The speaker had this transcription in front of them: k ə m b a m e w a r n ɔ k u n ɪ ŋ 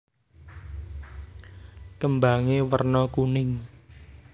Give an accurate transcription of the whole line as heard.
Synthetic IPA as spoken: k ə m b a ŋ e w ə r n ɔ k u n ɪ ŋ